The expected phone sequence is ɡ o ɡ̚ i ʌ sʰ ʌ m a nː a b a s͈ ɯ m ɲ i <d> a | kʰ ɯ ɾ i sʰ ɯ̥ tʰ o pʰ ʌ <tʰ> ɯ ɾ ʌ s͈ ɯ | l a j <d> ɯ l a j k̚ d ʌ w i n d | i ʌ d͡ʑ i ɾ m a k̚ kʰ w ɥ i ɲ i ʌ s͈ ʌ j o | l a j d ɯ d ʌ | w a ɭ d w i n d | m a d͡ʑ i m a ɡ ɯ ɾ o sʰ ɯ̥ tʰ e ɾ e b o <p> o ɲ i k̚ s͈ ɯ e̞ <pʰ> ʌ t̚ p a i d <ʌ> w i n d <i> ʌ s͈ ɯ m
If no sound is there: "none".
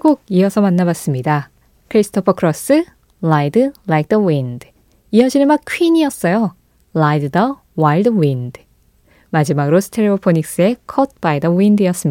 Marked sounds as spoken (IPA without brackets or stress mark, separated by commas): d, kʰ, d, pʰ, kʰ, ʌ, i